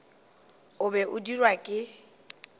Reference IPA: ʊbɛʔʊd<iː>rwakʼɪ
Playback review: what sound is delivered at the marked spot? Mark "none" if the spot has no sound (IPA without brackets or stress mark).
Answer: i